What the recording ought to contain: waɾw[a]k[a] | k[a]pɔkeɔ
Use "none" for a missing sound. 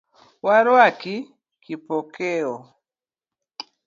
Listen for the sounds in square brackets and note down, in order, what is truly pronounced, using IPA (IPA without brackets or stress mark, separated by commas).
a, i, i